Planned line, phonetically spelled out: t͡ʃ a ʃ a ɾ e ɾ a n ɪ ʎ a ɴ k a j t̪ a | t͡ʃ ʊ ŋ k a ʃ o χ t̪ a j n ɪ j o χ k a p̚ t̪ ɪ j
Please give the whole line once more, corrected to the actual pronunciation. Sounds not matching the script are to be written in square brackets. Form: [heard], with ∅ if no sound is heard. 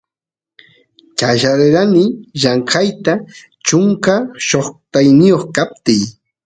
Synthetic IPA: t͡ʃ a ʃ a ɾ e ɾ a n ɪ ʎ a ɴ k a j t̪ a | t͡ʃ ʊ ŋ k a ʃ o χ t̪ a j n ɪ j o χ k a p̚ t̪ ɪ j